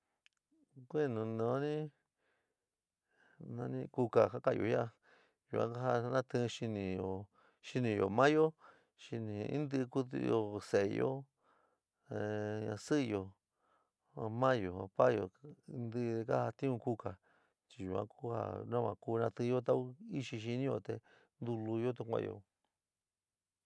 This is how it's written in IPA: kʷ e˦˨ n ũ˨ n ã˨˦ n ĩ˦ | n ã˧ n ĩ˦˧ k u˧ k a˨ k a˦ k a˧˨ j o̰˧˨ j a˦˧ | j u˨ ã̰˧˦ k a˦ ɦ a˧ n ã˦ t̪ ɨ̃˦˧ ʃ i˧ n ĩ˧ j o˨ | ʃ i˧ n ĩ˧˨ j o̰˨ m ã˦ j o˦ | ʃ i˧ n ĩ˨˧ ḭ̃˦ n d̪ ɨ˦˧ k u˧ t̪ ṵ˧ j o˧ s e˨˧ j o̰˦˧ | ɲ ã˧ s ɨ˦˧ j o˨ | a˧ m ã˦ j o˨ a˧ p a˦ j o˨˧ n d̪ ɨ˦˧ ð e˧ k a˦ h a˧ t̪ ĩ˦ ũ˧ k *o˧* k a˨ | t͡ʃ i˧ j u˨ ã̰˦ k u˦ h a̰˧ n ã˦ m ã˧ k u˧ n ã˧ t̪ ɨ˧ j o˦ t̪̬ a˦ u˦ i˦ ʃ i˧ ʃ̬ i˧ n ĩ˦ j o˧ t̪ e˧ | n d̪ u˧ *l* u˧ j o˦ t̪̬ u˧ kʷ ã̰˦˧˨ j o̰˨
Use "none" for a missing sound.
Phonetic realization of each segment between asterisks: u˧, l

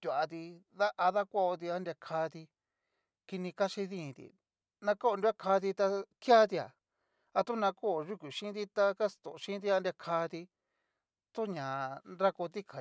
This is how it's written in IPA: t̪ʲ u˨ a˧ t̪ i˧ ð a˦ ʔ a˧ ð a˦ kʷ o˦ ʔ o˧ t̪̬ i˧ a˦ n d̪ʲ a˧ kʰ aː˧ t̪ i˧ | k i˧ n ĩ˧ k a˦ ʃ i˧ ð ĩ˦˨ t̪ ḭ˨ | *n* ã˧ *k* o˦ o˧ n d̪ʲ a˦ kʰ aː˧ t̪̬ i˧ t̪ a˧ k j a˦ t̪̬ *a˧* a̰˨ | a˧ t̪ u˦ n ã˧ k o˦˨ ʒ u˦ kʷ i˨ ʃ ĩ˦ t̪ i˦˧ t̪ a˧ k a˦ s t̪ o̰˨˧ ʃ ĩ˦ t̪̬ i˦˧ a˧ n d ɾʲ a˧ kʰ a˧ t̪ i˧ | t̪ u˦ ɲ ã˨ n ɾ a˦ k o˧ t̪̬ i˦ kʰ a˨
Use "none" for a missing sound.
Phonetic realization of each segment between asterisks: n, k, i˧

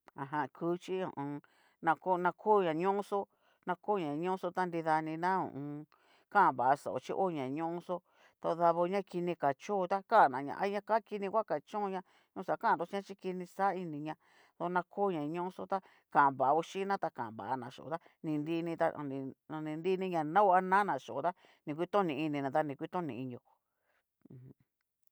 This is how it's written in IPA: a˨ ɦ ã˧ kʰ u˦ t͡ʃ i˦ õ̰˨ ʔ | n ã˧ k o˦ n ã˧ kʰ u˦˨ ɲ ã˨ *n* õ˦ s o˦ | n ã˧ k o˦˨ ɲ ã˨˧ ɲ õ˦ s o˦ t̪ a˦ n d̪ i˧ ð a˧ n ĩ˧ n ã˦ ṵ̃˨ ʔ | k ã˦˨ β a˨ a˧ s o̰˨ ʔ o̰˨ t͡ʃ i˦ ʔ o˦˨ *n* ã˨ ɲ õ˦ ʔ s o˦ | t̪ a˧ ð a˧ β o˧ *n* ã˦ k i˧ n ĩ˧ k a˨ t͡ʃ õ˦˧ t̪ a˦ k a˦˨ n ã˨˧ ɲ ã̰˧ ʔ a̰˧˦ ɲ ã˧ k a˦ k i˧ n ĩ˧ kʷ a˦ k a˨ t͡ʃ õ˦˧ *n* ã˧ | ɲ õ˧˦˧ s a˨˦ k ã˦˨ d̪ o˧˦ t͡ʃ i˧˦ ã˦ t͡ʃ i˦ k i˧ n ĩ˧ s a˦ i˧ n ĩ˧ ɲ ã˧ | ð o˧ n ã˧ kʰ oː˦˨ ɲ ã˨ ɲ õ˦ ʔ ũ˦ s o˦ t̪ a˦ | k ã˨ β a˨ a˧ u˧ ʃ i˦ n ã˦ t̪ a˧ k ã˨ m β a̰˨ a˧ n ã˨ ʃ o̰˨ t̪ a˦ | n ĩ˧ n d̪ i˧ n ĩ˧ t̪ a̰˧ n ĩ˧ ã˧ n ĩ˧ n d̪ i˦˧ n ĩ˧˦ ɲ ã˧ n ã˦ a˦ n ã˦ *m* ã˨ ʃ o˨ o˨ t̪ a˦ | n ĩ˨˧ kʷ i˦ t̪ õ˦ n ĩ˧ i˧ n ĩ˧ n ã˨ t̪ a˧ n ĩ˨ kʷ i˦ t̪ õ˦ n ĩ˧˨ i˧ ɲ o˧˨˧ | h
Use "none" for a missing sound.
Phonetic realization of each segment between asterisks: ɲ, ɲ, ɲ, ɲ, n

